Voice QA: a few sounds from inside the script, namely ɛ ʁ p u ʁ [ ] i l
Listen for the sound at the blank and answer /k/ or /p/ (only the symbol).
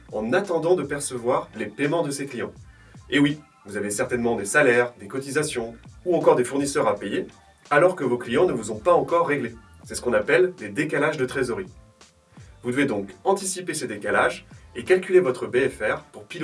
p